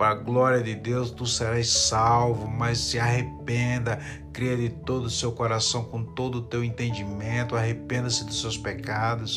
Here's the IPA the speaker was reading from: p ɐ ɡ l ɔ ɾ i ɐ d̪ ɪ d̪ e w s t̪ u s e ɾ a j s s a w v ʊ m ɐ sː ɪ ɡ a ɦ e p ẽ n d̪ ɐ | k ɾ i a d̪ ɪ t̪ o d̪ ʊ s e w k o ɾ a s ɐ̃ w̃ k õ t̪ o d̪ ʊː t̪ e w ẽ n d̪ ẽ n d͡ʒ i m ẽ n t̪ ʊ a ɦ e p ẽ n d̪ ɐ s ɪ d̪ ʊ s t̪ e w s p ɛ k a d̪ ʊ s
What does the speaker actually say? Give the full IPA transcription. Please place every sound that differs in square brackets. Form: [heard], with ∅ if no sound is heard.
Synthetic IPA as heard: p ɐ ɡ l ɔ ɾ i ɐ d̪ ɪ d̪ e w s t̪ u s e ɾ a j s s a w v ʊ m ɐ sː ɪ [∅] a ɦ e p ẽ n d̪ ɐ | k ɾ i [ɐ] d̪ ɪ t̪ o d̪ ʊ s e w k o ɾ a s ɐ̃ w̃ k õ t̪ o d̪ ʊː t̪ e w ẽ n [t̪] ẽ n d͡ʒ i m ẽ n t̪ ʊ a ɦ e p ẽ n d̪ ɐ s ɪ d̪ ʊ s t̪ e w s p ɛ k a d̪ ʊ s